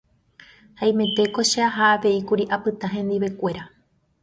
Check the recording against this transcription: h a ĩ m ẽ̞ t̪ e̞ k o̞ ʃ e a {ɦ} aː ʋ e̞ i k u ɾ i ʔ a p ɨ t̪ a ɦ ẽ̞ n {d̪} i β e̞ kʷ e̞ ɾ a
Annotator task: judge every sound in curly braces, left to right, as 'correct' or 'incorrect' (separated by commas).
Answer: correct, correct